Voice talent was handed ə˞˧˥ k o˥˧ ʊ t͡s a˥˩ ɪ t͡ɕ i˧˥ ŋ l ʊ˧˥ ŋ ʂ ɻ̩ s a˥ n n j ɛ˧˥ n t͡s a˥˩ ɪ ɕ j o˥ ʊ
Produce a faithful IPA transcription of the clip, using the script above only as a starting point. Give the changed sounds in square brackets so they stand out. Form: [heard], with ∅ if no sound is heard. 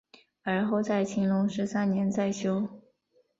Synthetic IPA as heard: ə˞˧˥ [x] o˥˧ ʊ t͡s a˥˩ ɪ [t͡ɕʰ] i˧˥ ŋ l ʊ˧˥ ŋ ʂ ɻ̩ s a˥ n n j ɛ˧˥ n t͡s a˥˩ ɪ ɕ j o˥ ʊ